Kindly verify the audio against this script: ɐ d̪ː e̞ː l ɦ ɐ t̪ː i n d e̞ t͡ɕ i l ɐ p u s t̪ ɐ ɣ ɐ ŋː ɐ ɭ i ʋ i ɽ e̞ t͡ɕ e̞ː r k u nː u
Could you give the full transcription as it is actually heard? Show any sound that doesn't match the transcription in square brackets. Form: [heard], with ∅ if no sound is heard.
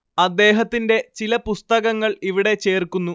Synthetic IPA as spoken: ɐ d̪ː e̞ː [∅] ɦ ɐ t̪ː i n d e̞ t͡ɕ i l ɐ p u s t̪ ɐ ɣ ɐ ŋː ɐ ɭ i ʋ i ɽ e̞ t͡ɕ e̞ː r k u nː u

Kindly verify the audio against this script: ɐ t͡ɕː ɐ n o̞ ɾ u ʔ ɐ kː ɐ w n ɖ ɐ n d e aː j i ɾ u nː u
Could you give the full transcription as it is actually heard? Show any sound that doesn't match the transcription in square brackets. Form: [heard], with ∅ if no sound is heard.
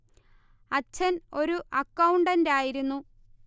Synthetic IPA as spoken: ɐ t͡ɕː ɐ n o̞ ɾ u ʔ ɐ kː ɐ w [ɳ] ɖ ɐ n d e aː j i ɾ u nː u

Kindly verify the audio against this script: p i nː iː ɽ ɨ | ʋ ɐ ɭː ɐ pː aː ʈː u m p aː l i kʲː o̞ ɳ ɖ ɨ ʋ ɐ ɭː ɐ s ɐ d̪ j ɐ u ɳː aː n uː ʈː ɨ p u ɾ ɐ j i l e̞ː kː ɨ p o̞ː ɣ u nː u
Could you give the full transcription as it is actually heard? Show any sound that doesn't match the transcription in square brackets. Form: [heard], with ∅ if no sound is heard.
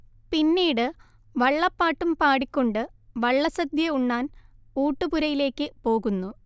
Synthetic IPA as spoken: p i nː iː ɽ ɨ | ʋ ɐ ɭː ɐ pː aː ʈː u m p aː [ɽ] i kʲː o̞ ɳ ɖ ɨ ʋ ɐ ɭː ɐ s ɐ d̪ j ɐ u ɳː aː n uː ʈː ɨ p u ɾ ɐ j i l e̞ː kː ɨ p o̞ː ɣ u nː u

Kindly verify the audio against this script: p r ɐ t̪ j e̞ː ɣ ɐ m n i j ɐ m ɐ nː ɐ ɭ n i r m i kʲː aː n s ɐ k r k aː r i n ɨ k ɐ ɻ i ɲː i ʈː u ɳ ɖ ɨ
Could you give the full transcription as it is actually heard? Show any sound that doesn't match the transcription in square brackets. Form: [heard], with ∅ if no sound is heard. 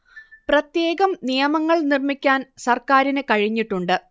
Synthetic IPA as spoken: p r ɐ t̪ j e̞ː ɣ ɐ m n i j ɐ m ɐ [ŋː] ɐ ɭ n i r m i kʲː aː n s ɐ [∅] r k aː [ɾ] i n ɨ k ɐ ɻ i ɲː i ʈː u ɳ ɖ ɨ

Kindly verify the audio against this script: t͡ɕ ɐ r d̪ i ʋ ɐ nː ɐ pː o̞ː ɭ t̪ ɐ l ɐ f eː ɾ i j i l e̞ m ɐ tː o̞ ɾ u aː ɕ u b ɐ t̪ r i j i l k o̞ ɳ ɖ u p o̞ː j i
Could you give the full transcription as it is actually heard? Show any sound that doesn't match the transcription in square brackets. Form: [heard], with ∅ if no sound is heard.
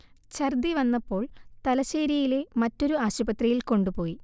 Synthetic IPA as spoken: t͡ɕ ɐ r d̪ i ʋ ɐ nː ɐ pː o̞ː ɭ t̪ ɐ l ɐ [ɕ] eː ɾ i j i l e̞ m ɐ tː o̞ ɾ u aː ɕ u b ɐ t̪ r i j i l k o̞ ɳ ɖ u p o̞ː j i

